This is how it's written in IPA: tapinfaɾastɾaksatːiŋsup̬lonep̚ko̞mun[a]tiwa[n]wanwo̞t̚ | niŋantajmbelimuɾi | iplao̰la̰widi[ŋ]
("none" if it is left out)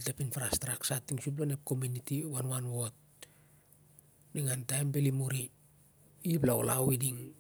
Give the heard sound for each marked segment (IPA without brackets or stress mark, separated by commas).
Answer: i, n, ŋ